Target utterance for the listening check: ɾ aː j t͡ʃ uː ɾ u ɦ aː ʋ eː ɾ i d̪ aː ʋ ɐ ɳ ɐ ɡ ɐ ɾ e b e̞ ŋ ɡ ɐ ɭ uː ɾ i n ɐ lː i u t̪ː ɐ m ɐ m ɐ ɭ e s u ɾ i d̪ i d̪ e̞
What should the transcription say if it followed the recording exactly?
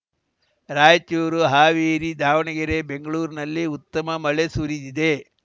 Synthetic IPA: ɾ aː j t͡ʃ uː ɾ u ɦ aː ʋ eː ɾ i d̪ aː ʋ ɐ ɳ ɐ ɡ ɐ ɾ e b e̞ ŋ ɡ ɐ ɭ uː ɾ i n ɐ lː i u t̪ː ɐ m ɐ m ɐ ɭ e s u ɾ i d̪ i d̪ e̞